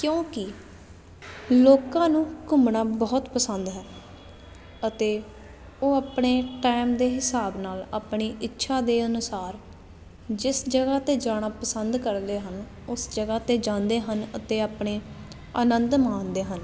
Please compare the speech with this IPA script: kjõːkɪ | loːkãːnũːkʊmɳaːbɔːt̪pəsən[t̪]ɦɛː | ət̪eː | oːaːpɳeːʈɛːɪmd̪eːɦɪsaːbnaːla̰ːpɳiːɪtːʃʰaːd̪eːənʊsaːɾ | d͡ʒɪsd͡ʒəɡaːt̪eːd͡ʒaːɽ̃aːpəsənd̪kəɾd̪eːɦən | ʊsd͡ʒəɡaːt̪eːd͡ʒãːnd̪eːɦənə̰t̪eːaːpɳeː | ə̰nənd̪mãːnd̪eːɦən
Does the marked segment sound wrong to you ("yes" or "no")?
yes